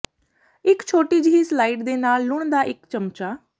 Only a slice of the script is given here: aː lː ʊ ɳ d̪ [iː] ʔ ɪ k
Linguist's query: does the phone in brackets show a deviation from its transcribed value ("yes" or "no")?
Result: yes